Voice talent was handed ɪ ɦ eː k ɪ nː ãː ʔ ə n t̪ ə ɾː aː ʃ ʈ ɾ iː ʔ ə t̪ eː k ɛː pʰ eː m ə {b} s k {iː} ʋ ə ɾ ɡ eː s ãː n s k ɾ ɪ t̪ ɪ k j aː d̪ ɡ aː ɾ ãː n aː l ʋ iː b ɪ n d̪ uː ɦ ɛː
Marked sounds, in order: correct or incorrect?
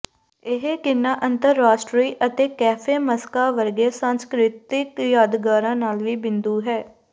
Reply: incorrect, incorrect

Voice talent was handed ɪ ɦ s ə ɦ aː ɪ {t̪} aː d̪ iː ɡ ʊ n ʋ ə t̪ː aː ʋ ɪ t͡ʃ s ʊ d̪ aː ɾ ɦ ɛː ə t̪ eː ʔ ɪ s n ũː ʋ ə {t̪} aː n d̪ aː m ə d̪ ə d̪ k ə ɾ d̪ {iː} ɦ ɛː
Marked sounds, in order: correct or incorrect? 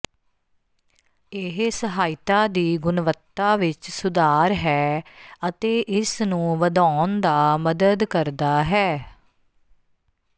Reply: correct, incorrect, incorrect

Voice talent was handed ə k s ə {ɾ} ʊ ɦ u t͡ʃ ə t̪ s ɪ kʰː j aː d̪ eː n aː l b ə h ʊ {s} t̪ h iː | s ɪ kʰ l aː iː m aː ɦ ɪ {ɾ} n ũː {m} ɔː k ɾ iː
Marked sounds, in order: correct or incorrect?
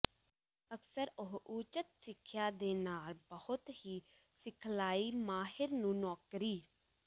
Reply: correct, incorrect, correct, incorrect

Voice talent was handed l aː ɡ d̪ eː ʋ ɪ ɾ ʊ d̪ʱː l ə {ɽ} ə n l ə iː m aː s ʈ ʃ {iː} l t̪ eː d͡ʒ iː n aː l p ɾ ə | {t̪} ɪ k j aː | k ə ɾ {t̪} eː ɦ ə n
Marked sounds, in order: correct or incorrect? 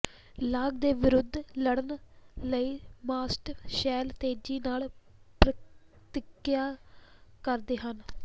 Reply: correct, incorrect, correct, incorrect

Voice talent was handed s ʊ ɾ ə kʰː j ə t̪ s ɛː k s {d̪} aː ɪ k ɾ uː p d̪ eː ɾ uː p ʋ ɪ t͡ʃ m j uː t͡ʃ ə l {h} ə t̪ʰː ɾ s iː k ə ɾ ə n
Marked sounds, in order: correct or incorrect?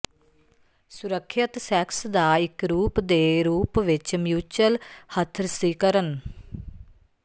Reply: correct, correct

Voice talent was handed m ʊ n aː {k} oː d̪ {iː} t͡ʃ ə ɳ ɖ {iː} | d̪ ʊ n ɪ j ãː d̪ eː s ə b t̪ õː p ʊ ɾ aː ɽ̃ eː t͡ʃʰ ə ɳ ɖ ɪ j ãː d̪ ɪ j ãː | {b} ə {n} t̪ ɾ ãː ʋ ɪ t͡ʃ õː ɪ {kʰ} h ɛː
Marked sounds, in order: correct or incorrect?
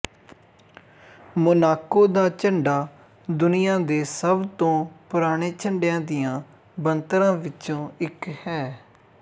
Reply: correct, incorrect, incorrect, correct, correct, incorrect

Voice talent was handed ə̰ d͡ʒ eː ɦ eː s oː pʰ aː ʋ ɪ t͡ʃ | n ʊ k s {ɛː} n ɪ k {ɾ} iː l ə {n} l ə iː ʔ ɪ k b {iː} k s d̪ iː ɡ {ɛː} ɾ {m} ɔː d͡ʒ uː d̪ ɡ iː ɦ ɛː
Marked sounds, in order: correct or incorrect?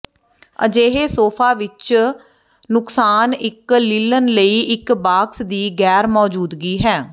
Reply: incorrect, incorrect, correct, incorrect, correct, correct

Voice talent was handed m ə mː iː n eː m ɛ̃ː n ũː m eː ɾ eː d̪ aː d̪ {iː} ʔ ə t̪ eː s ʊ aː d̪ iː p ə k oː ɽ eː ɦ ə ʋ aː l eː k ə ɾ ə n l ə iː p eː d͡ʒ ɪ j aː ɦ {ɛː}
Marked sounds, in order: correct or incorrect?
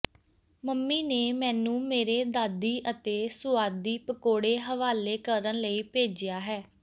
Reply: correct, correct

